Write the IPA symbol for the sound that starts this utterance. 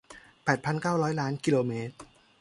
p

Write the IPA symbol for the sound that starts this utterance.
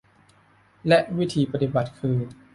l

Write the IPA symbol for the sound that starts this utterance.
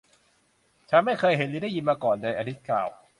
t͡ɕʰ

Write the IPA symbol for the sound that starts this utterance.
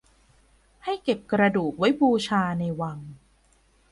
h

